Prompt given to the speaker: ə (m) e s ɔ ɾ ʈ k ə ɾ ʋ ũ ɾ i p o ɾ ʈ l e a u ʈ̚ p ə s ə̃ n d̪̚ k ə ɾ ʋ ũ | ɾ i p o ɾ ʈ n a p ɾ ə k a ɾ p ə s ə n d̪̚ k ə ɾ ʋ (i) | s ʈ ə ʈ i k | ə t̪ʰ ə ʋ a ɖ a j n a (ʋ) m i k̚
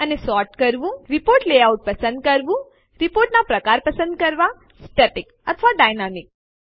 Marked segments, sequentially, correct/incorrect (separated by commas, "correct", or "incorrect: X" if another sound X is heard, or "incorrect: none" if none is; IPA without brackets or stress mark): incorrect: n, incorrect: a, incorrect: none